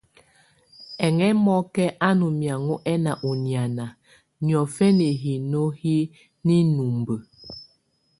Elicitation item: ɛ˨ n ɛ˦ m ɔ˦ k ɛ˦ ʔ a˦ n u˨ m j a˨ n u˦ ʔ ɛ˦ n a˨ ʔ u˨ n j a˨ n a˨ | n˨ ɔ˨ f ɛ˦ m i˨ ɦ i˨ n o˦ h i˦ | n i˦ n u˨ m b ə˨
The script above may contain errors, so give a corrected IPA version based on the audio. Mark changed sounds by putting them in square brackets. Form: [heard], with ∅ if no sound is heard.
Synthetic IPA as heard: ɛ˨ [ŋ] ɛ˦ m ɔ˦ k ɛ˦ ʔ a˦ n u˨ m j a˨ [ŋ] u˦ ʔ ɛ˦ n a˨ ʔ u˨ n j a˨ n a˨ | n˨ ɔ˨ f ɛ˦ [n] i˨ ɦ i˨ n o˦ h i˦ | n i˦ n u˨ m b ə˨

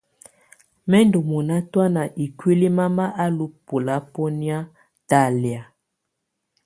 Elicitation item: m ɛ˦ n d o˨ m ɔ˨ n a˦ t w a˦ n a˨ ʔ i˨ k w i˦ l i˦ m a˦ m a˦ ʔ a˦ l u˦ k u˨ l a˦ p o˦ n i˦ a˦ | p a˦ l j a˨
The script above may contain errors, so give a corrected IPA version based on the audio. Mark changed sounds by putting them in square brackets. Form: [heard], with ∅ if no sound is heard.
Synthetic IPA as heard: m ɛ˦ n d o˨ m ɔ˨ n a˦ t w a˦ n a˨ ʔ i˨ k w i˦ l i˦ m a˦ m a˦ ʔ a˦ l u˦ [p] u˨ l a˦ p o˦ n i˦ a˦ | [t] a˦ l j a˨

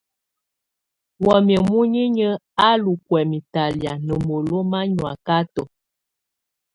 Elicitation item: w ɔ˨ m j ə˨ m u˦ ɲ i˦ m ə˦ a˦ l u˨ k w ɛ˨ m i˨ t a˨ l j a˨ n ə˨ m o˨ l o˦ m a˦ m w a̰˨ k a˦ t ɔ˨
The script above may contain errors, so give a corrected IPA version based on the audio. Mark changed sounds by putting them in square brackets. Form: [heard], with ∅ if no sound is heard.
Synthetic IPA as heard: w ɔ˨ m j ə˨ m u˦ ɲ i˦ [ɲ] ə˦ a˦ l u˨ k w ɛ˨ m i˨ t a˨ l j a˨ n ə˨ m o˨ l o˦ m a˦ [ɲ] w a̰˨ k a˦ t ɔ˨

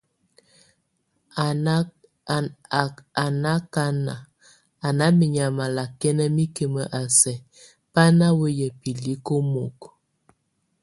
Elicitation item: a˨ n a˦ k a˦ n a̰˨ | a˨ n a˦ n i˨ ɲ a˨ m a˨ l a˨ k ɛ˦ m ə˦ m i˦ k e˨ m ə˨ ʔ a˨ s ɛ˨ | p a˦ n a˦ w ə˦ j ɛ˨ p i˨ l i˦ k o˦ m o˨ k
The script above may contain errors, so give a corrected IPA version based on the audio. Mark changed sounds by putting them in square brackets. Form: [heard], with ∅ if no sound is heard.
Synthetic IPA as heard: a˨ n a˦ k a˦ n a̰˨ | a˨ n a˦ [m] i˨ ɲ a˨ m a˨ l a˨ k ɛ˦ [n] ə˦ m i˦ k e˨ m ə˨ ʔ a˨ s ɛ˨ | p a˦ n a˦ w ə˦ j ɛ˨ p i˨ l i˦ k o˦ m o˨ k

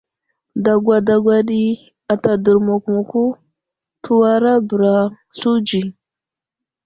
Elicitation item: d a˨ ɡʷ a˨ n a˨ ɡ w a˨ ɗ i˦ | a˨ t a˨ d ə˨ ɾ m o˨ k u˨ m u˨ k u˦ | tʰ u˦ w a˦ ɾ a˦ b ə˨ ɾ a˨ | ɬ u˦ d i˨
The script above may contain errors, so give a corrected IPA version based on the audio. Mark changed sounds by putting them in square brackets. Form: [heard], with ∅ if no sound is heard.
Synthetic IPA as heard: d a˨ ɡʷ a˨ [d] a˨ ɡ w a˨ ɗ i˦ | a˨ t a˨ d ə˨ ɾ m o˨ k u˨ m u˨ k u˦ | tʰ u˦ w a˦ ɾ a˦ b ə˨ ɾ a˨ | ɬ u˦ [d͡ʒ] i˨

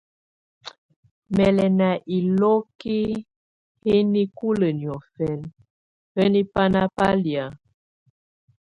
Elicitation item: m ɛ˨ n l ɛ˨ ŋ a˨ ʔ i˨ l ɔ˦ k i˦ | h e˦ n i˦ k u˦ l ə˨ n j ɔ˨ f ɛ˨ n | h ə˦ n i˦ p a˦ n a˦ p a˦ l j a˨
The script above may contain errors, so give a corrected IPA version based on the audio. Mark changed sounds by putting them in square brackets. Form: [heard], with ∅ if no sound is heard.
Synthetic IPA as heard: m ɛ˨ [∅] l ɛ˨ [n] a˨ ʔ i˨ l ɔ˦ k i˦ | h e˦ n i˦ k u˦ l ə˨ n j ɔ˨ f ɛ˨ n | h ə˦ n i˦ p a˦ n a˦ p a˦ l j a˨

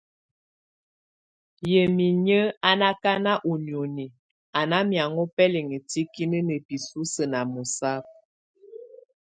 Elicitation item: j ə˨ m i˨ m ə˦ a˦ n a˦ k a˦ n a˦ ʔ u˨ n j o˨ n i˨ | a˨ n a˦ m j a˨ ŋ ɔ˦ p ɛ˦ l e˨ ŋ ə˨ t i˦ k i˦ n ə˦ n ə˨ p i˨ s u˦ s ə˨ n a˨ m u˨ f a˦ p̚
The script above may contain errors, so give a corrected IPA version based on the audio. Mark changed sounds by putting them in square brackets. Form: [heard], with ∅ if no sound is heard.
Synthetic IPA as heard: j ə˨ m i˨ [ɲ] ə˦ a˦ n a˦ k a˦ n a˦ ʔ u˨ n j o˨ n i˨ | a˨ n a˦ m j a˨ ŋ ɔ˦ p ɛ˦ l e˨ ŋ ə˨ t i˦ k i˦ n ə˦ n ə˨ p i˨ s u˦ s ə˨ n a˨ m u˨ [s] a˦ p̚

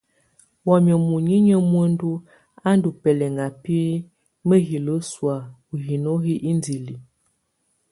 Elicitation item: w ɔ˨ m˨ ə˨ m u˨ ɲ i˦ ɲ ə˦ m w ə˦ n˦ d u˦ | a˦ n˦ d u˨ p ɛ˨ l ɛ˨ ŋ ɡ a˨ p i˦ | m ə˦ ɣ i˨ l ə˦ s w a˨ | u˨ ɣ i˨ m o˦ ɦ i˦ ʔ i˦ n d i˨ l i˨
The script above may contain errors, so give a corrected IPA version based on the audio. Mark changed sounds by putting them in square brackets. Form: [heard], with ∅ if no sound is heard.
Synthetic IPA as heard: w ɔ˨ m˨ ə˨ m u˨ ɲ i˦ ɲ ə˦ m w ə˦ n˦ d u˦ | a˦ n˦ d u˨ p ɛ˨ l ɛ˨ ŋ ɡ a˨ p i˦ | m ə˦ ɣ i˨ l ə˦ s w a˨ | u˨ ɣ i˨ [n] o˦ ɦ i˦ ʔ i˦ n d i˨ l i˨

